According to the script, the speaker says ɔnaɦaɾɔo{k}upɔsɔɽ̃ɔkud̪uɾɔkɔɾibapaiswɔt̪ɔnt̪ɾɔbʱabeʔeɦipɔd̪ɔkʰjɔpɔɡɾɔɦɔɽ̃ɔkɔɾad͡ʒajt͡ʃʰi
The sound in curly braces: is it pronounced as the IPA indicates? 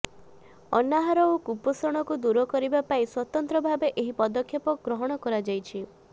yes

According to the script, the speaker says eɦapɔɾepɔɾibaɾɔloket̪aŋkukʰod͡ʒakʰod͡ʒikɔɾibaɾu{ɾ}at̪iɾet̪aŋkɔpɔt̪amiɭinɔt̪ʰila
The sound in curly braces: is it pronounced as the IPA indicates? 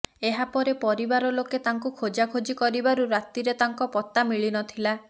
yes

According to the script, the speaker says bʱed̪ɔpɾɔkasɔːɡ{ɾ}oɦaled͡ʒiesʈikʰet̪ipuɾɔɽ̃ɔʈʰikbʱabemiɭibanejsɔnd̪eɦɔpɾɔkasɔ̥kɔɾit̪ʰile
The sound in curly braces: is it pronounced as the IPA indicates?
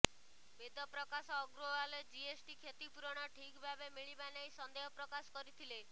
yes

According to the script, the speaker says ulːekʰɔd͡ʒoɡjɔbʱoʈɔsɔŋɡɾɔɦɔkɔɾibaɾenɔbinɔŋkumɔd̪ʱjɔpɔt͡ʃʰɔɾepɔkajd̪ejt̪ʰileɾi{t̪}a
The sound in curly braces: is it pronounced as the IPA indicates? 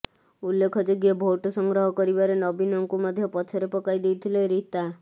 yes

